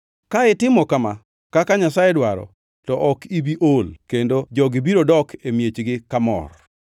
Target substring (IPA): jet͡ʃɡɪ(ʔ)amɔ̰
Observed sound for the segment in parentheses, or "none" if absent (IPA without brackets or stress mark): k